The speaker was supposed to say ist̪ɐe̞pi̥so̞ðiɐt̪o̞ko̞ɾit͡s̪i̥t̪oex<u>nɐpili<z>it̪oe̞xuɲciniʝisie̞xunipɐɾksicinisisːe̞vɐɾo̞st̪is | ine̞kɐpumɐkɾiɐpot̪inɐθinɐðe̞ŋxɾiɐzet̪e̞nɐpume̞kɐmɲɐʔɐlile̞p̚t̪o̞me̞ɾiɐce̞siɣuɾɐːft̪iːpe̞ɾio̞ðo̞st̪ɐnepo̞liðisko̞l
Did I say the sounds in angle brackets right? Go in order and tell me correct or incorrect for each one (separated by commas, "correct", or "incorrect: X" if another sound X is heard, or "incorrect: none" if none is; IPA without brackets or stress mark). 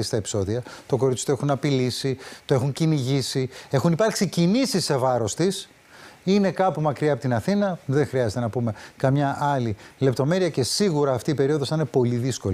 correct, incorrect: s